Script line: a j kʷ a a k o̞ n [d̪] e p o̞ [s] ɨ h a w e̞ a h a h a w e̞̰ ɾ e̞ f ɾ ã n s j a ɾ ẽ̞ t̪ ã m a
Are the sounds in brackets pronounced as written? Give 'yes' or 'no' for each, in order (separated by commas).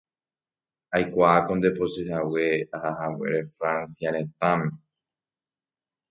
yes, yes